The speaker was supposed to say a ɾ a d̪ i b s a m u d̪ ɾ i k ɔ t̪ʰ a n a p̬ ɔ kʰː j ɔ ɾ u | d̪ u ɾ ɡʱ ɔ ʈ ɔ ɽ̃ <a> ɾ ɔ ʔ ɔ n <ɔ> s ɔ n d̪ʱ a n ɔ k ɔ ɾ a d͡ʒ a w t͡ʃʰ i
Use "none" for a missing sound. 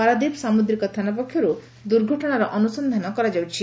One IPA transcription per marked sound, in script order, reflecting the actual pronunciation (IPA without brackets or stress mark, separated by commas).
a, u